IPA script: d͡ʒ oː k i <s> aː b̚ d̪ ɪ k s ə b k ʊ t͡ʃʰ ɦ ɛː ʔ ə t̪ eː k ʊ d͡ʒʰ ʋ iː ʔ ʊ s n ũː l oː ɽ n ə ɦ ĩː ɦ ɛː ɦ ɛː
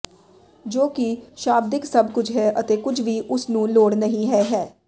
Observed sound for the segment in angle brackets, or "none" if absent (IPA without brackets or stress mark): ʃ